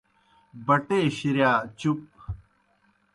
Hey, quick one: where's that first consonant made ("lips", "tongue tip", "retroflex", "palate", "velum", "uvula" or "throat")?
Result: lips